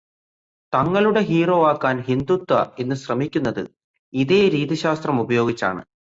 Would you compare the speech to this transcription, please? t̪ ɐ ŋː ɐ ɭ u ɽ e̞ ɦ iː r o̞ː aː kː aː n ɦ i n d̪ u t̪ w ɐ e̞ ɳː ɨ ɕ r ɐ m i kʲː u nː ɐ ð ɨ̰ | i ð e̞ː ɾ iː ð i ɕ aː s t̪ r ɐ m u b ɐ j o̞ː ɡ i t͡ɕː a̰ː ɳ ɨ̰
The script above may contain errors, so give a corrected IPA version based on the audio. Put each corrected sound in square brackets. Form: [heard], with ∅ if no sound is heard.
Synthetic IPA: t̪ ɐ ŋː ɐ ɭ u ɽ e̞ ɦ iː r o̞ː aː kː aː n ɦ i n d̪ u t̪ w ɐ e̞ [nː] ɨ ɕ r ɐ m i kʲː u nː ɐ ð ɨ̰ | i ð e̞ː ɾ iː ð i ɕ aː s t̪ r ɐ m u b ɐ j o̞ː ɡ i t͡ɕː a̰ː ɳ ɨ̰